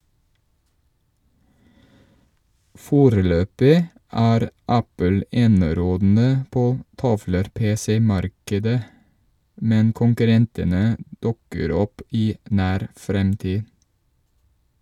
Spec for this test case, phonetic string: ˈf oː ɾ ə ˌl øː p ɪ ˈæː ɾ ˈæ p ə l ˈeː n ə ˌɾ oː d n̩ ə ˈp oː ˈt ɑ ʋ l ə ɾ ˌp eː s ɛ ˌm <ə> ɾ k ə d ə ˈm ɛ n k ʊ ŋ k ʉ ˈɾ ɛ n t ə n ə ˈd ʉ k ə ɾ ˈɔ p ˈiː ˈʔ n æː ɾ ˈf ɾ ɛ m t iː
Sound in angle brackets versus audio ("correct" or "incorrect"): incorrect